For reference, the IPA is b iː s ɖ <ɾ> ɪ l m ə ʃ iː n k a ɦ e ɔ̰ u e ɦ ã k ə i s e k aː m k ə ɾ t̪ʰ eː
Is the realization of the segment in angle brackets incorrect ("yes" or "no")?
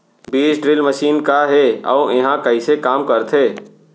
no